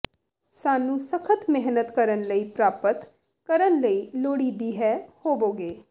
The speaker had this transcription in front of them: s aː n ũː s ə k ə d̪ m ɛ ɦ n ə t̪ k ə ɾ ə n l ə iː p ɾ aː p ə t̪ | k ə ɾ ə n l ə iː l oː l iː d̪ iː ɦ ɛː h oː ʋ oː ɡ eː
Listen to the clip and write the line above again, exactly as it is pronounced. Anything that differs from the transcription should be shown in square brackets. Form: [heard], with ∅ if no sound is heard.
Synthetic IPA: s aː n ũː s ə [kʰ] ə [t̪] m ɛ ɦ n ə t̪ k ə ɾ ə n l ə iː p ɾ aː p ə t̪ | k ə ɾ ə n l ə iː l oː [ɽ] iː d̪ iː ɦ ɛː h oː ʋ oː ɡ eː